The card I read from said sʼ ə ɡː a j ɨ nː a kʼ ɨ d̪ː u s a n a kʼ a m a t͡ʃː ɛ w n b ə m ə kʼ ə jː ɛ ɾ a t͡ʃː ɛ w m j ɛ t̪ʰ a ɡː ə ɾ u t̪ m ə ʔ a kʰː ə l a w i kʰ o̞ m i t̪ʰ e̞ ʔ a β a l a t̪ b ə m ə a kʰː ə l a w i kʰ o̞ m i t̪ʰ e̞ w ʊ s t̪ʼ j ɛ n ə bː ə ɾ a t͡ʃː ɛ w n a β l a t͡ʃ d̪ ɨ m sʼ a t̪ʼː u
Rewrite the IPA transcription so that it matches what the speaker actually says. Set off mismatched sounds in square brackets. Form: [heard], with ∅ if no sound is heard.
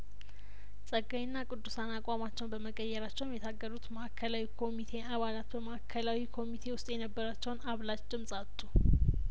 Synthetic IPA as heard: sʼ ə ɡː a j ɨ nː a kʼ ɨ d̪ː u s a n a kʼ a m a t͡ʃː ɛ w n b ə m ə kʼ ə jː ɛ ɾ a t͡ʃː ɛ w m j ɛ t̪ʰ a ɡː ə ɾ u t̪ m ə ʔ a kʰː ə l a w i kʰ o̞ m i t̪ʰ e̞ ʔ a β a l a t̪ b ə m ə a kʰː ə l a w i kʰ o̞ m i t̪ʰ e̞ w ʊ s t̪ʼ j ɛ n ə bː ə ɾ a t͡ʃː ɛ w n a β l a t͡ʃ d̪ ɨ m sʼ a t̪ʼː u